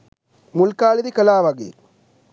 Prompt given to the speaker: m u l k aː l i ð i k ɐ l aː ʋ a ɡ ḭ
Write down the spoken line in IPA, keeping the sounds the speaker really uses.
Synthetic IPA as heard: m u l k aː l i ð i k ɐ l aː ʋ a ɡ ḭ